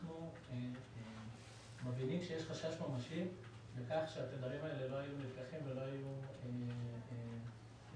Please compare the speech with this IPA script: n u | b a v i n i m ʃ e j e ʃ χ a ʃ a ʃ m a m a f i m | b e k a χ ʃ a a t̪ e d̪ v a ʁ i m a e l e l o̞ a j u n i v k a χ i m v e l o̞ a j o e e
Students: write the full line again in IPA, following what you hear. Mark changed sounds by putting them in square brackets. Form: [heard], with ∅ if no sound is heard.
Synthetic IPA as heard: n u | [m] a v i n i m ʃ e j e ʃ χ a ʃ a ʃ m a m a [ʃ] i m | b e k a χ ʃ [e] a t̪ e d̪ v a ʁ i m a e l e l o̞ a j u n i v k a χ i m v e l o̞ a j [u] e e